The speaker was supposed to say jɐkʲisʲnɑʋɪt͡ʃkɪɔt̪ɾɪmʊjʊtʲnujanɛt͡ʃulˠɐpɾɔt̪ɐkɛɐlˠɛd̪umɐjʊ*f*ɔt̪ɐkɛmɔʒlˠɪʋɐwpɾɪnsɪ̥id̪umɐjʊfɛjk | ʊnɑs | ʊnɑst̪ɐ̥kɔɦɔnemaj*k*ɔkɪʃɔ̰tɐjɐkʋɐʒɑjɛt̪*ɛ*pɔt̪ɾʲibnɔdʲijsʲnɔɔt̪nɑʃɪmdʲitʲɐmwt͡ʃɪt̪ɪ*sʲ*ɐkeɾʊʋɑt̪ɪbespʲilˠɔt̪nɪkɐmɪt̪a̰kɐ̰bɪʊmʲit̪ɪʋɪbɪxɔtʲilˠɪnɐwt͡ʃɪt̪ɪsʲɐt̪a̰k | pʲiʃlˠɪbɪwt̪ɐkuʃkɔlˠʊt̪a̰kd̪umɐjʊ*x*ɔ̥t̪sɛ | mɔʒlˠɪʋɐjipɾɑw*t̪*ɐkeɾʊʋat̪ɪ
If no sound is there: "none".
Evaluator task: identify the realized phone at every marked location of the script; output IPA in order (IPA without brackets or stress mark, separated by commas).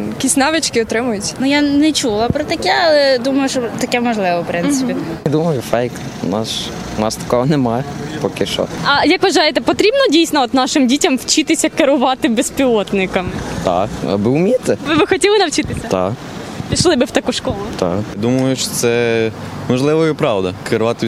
ʃ, p, ɛ, sʲ, ʃ, d̪